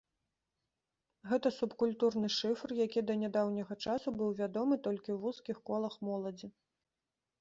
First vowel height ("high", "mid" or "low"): mid